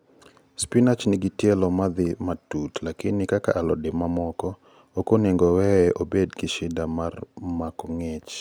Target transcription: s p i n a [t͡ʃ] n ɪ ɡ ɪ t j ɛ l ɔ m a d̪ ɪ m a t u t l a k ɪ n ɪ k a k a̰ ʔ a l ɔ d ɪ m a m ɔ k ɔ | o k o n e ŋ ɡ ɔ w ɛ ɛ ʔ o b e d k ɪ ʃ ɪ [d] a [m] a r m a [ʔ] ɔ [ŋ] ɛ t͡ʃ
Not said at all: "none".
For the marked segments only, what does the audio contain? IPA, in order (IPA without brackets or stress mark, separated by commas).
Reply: t͡ʃ, d, m, k, ŋ